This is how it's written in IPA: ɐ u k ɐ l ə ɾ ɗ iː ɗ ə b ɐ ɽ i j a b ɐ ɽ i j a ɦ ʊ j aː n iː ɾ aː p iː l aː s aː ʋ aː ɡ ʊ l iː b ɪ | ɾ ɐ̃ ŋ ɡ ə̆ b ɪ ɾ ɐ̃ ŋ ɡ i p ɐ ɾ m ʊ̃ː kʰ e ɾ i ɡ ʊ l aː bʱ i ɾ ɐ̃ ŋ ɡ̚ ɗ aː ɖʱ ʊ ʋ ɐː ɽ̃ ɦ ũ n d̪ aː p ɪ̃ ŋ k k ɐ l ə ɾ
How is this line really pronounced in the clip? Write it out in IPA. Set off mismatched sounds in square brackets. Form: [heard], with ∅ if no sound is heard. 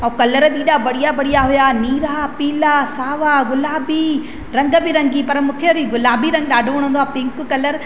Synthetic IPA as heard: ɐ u k ɐ l ə ɾ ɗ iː ɗ [a] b ɐ ɽ i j a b ɐ ɽ i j a ɦ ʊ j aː n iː ɾ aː p iː l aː s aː ʋ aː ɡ ʊ l [aː] b [i] | ɾ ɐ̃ ŋ ɡ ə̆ b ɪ ɾ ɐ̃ ŋ ɡ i p ɐ ɾ m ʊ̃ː kʰ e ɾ i ɡ ʊ l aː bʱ i ɾ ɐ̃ ŋ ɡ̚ ɗ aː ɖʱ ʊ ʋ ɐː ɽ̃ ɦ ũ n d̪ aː p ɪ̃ ŋ k k ɐ l ə ɾ